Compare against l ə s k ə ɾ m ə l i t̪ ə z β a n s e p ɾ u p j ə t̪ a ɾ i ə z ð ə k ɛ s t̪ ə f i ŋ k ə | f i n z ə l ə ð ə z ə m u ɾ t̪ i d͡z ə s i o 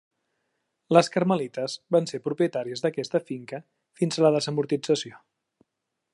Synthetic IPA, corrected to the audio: l ə s k ə ɾ m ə l i t̪ ə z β a n s e p ɾ u p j ə t̪ a ɾ i ə z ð ə k ɛ s t̪ ə f i ŋ k ə | f i n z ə l ə ð ə z ə m u ɾ t̪ i d͡z ə s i o